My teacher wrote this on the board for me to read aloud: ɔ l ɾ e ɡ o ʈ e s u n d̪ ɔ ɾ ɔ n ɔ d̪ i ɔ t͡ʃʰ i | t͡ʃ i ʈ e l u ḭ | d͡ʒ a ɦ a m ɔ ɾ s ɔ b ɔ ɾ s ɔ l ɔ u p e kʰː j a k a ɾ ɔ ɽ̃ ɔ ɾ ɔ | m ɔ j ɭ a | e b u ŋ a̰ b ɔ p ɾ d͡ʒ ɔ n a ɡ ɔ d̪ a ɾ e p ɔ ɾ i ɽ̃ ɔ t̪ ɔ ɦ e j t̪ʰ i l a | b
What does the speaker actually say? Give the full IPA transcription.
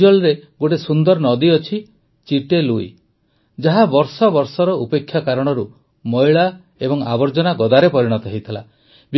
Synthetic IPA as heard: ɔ l ɾ e ɡ o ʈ e s u n d̪ ɔ ɾ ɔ n ɔ d̪ i ɔ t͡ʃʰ i | t͡ʃ i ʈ e l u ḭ | d͡ʒ a ɦ a b ɔ ɾ s ɔ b ɔ ɾ s ɔ ɾ ɔ u p e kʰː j a k a ɾ ɔ ɽ̃ ɔ ɾ u | m ɔ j ɭ a | e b ɔ ŋ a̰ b ɔ ɾ d͡ʒ ɔ n a ɡ ɔ d̪ a ɾ e p ɔ ɾ i ɽ̃ ɔ t̪ ɔ ɦ e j t̪ʰ i l a | b